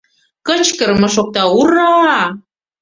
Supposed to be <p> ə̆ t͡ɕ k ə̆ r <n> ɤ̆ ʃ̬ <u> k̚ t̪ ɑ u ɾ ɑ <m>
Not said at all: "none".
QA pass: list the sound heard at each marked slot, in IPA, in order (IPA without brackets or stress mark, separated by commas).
k, m, o, none